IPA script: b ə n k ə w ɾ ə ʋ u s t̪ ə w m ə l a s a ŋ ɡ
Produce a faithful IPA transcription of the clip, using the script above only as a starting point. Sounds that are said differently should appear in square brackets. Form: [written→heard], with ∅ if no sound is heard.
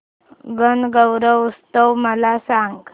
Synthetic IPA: [b→ɡ] ə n [k→ɡ] ə w ɾ ə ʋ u s t̪ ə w m ə l a s a ŋ ɡ